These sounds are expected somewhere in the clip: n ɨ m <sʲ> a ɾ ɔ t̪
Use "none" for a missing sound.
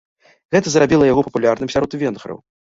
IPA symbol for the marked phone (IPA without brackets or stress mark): sʲ